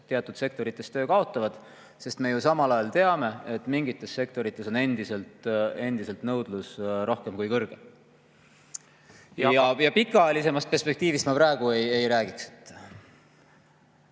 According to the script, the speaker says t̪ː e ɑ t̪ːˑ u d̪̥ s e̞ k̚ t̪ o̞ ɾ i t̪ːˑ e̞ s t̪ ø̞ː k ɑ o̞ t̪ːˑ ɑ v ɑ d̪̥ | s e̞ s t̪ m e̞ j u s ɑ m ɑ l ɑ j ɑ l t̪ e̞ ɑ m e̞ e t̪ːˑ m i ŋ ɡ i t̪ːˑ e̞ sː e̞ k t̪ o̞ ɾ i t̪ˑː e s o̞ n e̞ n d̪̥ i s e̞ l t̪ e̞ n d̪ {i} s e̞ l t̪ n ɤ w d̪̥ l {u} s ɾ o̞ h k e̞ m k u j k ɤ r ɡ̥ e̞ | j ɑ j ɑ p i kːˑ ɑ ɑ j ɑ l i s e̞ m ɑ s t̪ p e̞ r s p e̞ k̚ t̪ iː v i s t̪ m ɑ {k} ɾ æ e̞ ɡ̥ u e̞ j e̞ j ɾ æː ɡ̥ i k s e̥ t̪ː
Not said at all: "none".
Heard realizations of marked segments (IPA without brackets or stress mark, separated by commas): i, u, p